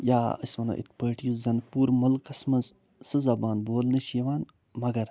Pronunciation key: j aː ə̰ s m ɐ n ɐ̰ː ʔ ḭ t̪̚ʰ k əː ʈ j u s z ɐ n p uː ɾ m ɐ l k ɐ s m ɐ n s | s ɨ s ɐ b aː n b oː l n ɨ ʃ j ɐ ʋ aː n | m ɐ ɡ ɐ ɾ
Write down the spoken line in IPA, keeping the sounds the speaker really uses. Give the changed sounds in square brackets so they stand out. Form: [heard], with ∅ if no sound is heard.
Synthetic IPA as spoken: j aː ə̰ s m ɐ n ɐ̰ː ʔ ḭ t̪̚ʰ [p] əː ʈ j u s z ɐ n p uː ɾ m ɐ l k ɐ s m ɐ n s | s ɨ [z] ɐ b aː n b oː l n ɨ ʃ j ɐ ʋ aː n | m ɐ ɡ ɐ ɾ